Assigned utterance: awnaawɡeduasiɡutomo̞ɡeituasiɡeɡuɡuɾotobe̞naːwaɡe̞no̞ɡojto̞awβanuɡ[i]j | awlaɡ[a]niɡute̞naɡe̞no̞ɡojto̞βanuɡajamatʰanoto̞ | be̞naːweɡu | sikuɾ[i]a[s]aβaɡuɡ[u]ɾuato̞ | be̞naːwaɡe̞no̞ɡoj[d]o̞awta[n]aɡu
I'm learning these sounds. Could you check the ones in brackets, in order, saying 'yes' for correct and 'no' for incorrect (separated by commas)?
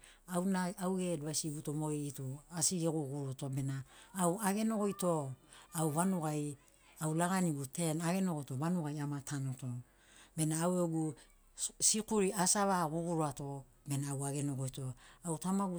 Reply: no, yes, yes, yes, yes, no, no